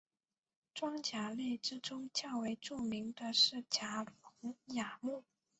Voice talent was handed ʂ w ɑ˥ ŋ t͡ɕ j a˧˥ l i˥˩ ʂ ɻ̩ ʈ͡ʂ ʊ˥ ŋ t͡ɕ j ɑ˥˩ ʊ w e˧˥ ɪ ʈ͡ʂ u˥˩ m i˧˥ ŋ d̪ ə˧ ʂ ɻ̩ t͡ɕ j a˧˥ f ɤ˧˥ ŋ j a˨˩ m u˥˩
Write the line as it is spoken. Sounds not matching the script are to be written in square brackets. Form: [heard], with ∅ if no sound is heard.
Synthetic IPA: [ʈ͡ʂ] w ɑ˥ ŋ t͡ɕ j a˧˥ l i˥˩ [ʈ͡ʂ] ɻ̩ ʈ͡ʂ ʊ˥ ŋ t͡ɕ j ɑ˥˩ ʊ w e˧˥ ɪ ʈ͡ʂ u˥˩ m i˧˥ ŋ d̪ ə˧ ʂ ɻ̩ t͡ɕ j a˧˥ f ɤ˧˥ ŋ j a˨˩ m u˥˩